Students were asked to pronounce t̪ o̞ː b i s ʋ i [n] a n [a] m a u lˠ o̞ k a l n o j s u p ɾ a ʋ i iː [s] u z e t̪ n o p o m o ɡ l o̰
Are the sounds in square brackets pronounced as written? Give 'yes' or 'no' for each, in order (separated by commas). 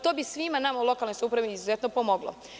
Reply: no, yes, no